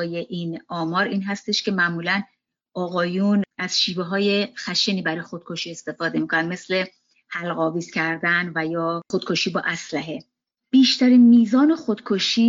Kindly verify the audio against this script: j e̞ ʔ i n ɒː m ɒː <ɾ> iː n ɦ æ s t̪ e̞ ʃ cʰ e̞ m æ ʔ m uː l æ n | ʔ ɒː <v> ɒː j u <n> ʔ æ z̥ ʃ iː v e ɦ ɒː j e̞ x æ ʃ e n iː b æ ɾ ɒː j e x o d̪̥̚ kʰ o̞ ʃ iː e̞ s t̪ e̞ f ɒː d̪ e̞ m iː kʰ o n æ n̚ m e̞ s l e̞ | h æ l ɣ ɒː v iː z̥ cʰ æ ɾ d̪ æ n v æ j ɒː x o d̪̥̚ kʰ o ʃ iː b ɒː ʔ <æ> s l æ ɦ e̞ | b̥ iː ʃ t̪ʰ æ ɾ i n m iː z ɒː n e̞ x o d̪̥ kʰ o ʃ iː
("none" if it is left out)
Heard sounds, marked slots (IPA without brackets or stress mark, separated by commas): ɾ, ɣ, n, æ